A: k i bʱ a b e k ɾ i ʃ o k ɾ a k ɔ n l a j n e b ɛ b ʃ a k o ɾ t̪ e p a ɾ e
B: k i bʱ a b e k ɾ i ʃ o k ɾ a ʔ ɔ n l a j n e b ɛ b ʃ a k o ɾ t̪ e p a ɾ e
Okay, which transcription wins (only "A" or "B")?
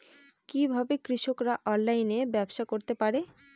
B